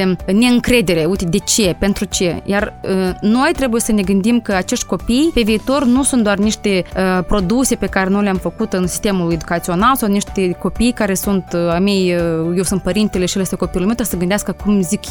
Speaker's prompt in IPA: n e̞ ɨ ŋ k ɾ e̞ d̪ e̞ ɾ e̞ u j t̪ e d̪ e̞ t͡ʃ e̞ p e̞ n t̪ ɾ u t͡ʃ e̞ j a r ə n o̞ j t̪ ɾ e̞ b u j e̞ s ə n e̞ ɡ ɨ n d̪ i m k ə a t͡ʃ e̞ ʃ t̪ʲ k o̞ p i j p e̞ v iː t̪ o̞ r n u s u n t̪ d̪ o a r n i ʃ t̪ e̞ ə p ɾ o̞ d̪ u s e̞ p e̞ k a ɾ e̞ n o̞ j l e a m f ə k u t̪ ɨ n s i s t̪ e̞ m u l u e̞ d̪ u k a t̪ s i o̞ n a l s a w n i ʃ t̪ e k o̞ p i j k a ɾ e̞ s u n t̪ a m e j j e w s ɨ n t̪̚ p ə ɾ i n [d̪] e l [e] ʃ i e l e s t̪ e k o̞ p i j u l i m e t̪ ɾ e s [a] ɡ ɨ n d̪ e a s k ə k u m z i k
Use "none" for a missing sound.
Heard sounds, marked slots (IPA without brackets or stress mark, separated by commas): t̪, e, ə